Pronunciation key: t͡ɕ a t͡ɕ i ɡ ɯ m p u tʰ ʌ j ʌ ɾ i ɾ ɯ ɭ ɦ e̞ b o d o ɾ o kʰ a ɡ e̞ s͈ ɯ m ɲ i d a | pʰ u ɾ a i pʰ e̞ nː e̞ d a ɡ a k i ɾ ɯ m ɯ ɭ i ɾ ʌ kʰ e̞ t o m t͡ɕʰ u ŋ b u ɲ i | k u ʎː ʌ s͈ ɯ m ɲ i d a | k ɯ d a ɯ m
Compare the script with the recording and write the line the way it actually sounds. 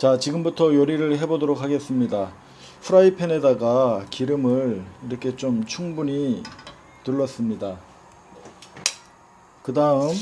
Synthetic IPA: t͡ɕ a t͡ɕ i ɡ ɯ m b u tʰ ʌ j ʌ ɾ i ɾ ɯ ɭ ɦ e̞ b o d o ɾ o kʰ a ɡ e̞ s͈ ɯ m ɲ i d a | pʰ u ɾ a i pʰ e̞ n e̞ d a ɡ a k i ɾ ɯ m ɯ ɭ i ɾ ʌ kʰ e̞ t͡ɕ o m t͡ɕʰ u ŋ b u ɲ i | t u ɭː ʌ s͈ ɯ m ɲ i d a | k ɯ d a ɯ m